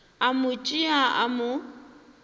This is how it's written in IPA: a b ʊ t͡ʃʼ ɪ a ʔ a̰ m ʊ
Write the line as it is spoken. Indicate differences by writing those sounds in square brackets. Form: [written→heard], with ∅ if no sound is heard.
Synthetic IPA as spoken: a [b→m] ʊ t͡ʃʼ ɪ a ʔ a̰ m ʊ